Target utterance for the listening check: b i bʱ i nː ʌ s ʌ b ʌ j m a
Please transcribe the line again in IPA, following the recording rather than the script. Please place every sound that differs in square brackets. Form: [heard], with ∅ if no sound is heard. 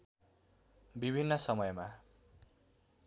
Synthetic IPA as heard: b i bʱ i nː ʌ s ʌ [m] ʌ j m a